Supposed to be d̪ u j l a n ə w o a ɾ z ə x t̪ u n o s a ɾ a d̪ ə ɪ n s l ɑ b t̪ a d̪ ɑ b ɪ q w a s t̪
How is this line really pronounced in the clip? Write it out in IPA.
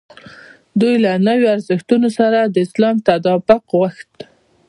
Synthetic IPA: d̪ u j l a n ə w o a ɾ z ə x t̪ u n o s a ɾ a d̪ ə ɪ s l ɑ m t̪ a d̪ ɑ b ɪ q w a x t̪